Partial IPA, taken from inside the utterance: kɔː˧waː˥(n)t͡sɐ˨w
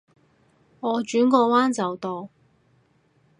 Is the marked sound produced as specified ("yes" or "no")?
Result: yes